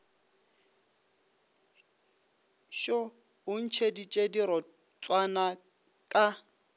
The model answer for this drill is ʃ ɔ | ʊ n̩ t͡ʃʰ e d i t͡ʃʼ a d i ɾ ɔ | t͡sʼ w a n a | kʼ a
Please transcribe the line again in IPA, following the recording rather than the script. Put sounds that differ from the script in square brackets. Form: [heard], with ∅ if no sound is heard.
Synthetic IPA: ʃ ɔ | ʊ n̩ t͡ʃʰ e d i t͡ʃʼ [e] d i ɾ ɔ | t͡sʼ w a n a | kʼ a